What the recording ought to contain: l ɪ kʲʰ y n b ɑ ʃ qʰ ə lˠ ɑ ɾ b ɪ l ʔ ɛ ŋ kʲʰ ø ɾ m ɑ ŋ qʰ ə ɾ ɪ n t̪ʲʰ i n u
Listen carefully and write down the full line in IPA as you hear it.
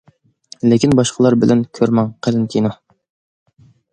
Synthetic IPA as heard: l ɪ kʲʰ i n b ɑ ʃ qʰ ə lˠ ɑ ɾ b ɪ l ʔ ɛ n kʲʰ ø ɾ m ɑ ŋ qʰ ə l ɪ n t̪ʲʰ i n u